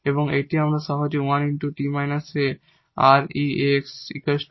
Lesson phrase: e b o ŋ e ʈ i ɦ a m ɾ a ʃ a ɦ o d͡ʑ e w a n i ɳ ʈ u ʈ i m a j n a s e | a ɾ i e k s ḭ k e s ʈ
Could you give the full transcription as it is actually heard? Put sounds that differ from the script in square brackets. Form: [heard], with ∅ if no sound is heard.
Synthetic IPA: e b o ŋ e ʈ i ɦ a m ɾ a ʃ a ɦ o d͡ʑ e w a n i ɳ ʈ u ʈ i m a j n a s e | a ɾ i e k s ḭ k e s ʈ